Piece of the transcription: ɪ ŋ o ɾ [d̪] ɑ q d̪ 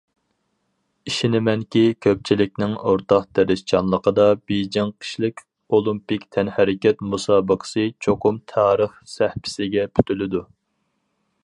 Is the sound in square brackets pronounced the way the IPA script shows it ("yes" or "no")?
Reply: no